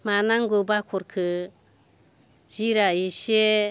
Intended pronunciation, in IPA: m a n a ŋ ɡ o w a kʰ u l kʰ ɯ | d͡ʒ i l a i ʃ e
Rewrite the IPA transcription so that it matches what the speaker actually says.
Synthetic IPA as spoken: m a n a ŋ ɡ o b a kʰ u ɾ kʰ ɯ | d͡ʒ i ɾ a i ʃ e